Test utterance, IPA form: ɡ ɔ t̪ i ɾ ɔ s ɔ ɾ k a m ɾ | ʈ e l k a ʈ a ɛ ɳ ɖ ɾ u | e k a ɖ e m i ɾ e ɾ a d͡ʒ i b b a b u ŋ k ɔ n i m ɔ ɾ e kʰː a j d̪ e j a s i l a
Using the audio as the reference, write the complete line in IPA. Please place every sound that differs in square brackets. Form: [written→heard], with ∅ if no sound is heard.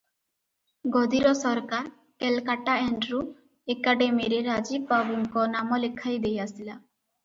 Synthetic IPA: ɡ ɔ [t̪→d̪] i ɾ ɔ s ɔ ɾ k a [m→∅] ɾ | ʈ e l k a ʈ a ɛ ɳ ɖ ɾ u | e k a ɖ e m i ɾ e ɾ a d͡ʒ i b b a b u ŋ k ɔ n [i→a] m ɔ [ɾ→l] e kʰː a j d̪ e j a s i l a